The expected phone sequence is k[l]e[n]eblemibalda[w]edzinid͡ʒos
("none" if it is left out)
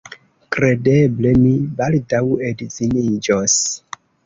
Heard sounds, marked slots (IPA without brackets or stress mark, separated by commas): ɾ, d, w